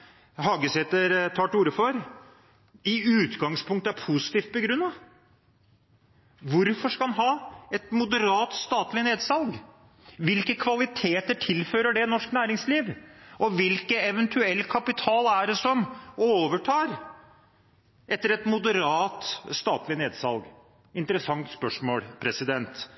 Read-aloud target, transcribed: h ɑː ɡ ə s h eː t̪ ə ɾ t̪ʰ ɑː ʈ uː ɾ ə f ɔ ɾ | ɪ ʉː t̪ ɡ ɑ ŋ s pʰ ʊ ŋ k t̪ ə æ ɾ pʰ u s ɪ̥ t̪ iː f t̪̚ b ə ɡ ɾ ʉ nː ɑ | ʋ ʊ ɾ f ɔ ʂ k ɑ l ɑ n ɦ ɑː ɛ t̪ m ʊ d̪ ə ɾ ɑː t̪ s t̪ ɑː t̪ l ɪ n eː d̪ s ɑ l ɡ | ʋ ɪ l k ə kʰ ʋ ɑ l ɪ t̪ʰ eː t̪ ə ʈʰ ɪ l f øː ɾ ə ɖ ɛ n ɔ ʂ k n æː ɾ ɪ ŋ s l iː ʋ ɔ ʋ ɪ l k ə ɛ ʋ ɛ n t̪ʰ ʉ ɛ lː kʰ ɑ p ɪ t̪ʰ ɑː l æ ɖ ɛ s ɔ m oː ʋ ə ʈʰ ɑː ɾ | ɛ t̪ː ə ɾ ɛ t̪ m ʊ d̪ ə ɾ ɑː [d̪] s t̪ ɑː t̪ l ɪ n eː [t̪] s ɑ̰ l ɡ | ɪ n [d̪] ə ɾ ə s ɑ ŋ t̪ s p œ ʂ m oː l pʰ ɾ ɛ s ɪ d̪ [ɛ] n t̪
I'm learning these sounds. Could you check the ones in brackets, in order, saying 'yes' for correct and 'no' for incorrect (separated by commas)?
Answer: no, no, no, yes